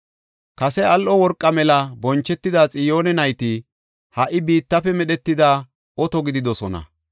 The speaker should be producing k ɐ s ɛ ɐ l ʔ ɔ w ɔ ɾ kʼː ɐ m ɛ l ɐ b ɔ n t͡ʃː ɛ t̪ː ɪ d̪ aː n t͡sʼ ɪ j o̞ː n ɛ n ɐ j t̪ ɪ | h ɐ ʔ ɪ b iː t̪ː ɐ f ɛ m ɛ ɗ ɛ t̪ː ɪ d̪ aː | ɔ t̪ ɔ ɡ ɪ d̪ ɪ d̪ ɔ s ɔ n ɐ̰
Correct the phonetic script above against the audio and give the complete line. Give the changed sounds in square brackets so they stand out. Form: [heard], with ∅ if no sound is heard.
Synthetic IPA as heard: k ɐ s ɛ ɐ l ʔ ɔ w ɔ ɾ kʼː ɐ m ɛ l ɐ b ɔ n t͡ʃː ɛ t̪ː ɪ d̪ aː [∅] t͡sʼ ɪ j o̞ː n ɛ n ɐ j t̪ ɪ | h ɐ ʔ ɪ b iː t̪ː ɐ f ɛ m ɛ ɗ ɛ t̪ː ɪ d̪ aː | ɔ t̪ ɔ ɡ ɪ d̪ ɪ d̪ ɔ s ɔ n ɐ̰

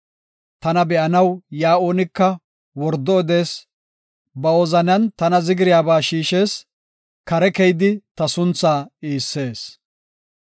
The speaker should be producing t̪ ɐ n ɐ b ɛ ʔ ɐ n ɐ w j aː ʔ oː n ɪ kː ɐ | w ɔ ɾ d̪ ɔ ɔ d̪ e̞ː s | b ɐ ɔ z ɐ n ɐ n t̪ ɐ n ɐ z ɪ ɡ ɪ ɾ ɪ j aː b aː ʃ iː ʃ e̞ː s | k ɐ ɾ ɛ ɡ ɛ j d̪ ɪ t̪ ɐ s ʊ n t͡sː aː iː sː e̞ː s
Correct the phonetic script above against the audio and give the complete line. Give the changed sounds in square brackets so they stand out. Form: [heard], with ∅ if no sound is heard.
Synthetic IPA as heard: t̪ ɐ n ɐ b ɛ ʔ ɐ n ɐ w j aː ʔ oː n ɪ kː ɐ | w ɔ ɾ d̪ ɔ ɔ d̪ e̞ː s | b ɐ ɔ z ɐ n ɐ n t̪ ɐ n ɐ z ɪ ɡ ɪ ɾ ɪ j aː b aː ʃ iː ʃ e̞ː s | k ɐ ɾ ɛ [k] ɛ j d̪ ɪ t̪ ɐ s ʊ n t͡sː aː iː sː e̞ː s

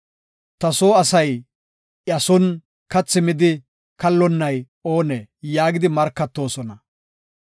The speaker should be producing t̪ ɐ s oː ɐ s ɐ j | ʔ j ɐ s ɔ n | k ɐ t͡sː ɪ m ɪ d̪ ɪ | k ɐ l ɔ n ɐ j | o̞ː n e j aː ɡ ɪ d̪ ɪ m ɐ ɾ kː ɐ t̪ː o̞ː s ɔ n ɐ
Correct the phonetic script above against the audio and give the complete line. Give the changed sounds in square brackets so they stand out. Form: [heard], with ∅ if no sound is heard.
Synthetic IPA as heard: t̪ ɐ s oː ɐ s ɐ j | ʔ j ɐ s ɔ n | k ɐ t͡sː ɪ m ɪ d̪ ɪ | k ɐ [lː] ɔ [nː] ɐ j | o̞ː n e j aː ɡ ɪ d̪ ɪ m ɐ ɾ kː ɐ t̪ː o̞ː s ɔ n ɐ

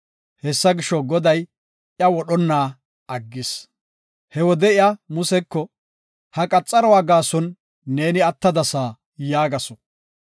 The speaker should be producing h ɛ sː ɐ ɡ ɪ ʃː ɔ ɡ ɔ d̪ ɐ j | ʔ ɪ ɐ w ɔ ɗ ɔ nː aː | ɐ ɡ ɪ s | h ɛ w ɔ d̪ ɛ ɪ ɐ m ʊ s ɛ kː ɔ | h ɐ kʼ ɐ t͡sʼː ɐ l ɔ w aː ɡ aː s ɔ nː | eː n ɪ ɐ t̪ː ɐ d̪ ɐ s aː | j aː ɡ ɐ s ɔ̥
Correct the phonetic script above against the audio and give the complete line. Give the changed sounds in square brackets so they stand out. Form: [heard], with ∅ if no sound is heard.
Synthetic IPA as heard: h ɛ sː ɐ ɡ ɪ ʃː ɔ ɡ ɔ d̪ ɐ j | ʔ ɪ ɐ w ɔ ɗ ɔ nː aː | ɐ [ɡː] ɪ s | h ɛ w ɔ d̪ ɛ ɪ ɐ m ʊ s ɛ kː ɔ | h ɐ kʼ ɐ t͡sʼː ɐ [ɾ] ɔ w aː ɡ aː s ɔ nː | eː n ɪ ɐ t̪ː ɐ d̪ ɐ s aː | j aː ɡ ɐ s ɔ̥

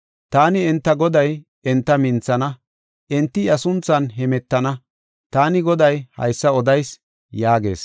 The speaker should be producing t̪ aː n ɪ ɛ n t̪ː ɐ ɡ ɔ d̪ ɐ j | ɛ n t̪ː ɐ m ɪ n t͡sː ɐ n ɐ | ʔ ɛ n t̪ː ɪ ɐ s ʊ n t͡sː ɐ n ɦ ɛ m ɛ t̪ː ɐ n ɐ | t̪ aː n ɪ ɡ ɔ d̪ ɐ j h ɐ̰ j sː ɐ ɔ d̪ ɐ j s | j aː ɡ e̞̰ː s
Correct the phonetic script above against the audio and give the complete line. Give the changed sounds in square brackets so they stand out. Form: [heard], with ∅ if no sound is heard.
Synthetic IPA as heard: t̪ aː n ɪ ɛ n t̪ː ɐ ɡ ɔ d̪ ɐ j | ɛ n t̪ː ɐ m ɪ n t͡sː ɐ n ɐ | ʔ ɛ n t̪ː ɪ ɐ s ʊ n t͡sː ɐ n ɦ ɛ m ɛ t̪ː ɐ n ɐ | t̪ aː n ɪ ɡ ɔ d̪ ɐ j h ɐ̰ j sː ɐ ɔ d̪ ɐ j s | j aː ɡ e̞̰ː s

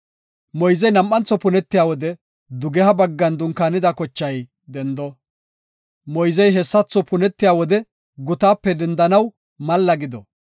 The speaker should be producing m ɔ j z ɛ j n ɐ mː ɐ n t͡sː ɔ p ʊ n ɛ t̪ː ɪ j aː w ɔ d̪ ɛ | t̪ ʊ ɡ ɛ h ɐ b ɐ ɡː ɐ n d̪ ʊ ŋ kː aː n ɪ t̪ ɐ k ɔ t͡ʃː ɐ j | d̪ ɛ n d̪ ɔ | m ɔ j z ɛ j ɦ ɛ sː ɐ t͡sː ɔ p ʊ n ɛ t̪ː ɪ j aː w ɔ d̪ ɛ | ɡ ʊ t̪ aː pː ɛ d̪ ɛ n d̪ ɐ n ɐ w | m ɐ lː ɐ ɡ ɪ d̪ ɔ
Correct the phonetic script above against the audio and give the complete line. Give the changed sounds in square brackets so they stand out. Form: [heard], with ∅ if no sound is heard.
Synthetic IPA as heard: m ɔ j z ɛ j n ɐ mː ɐ n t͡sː ɔ p ʊ n ɛ t̪ː ɪ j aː w ɔ d̪ ɛ | [d̪] ʊ ɡ ɛ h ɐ b ɐ ɡː ɐ n d̪ ʊ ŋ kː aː n ɪ [d̪] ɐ k ɔ t͡ʃː ɐ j | d̪ ɛ n d̪ ɔ | m ɔ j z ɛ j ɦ ɛ sː ɐ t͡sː ɔ p ʊ n ɛ t̪ː ɪ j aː w ɔ d̪ ɛ | ɡ ʊ t̪ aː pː ɛ d̪ ɛ n d̪ ɐ n ɐ w | m ɐ lː ɐ ɡ ɪ d̪ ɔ

